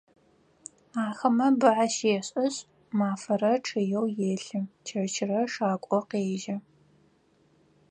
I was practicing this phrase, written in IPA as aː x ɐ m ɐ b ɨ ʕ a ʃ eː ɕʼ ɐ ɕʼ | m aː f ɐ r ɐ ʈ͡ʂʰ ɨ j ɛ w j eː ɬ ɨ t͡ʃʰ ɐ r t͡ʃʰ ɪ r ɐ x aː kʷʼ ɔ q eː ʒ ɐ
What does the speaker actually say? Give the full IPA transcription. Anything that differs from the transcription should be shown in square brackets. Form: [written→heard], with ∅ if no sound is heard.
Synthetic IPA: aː x ɐ m ɐ b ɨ ʕ a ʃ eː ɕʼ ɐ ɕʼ | m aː f ɐ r ɐ ʈ͡ʂʰ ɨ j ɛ w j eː ɬ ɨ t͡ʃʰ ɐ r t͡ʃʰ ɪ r ɐ [x→ʂ] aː kʷʼ ɔ q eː ʒ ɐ